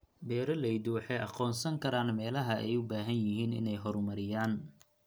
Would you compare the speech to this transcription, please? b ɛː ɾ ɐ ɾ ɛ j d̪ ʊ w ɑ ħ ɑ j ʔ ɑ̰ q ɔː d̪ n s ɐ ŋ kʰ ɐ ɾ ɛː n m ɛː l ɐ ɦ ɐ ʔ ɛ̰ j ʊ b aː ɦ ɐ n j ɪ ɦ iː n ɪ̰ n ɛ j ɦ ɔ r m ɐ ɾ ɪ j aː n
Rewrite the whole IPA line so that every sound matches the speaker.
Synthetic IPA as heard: b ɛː ɾ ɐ l ɛ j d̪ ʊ w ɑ ħ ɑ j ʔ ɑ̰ q ɔː n s ɐ ŋ kʰ ɐ ɾ aː n m ɛː l ɐ ɦ ɐ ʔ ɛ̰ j ʊ b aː ɦ ɐ n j ɪ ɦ iː n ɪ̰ n ɛ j ɦ ɔ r m ɐ ɾ ɪ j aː n